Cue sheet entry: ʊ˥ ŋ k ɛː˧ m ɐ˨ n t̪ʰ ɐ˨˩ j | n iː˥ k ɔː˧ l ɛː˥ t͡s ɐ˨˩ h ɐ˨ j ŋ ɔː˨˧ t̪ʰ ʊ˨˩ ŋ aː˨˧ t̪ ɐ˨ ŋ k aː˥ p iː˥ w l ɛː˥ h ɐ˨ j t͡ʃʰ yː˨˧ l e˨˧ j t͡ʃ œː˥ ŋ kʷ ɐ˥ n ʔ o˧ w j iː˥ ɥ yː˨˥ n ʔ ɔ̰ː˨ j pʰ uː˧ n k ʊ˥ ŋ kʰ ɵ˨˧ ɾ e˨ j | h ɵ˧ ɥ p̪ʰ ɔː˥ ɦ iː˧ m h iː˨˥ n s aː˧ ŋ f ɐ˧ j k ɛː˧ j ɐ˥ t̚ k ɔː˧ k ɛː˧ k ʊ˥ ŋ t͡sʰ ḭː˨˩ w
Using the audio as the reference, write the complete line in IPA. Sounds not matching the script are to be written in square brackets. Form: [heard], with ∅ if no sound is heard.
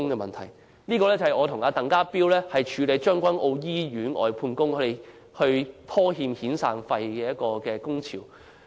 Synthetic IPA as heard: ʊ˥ ŋ k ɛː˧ m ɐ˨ n t̪ʰ ɐ˨˩ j | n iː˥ k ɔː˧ l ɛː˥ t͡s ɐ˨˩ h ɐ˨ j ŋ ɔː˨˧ t̪ʰ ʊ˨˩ ŋ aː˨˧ t̪ ɐ˨ ŋ k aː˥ p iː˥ w l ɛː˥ h ɐ˨ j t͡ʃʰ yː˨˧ l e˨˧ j t͡ʃ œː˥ ŋ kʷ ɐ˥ n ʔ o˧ w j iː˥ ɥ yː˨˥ n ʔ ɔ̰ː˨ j pʰ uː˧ n k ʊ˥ ŋ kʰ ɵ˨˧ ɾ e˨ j | h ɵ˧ ɥ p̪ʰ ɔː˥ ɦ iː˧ m h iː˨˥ n s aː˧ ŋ f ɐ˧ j k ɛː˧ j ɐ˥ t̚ k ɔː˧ k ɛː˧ k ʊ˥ ŋ t͡sʰ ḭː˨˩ w